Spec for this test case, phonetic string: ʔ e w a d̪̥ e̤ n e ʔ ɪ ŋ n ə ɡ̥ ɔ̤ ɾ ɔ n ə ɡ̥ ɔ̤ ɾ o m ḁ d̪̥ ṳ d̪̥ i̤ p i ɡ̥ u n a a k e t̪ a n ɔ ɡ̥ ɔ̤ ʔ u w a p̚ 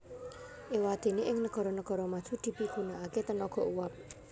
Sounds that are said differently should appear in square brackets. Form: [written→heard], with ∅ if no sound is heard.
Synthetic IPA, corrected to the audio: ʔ e w a d̪̥ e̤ n e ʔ ɪ ŋ n ə ɡ̥ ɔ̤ ɾ ɔ n ə ɡ̥ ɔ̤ ɾ [o→ɔ] m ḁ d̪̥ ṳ d̪̥ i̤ p i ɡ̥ u n a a k e t̪ [a→ə] n ɔ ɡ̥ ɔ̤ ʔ u w a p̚